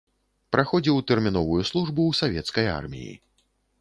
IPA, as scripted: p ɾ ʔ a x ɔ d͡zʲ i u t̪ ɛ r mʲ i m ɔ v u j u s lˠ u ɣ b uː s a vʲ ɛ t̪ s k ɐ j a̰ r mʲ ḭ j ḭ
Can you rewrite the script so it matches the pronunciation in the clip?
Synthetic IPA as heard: p ɾ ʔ a x ɔ d͡zʲ i w t̪ ɛ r mʲ i n ɔ v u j u s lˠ u ʐ b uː s a vʲ ɛ t̪ s k ɐ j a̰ r mʲ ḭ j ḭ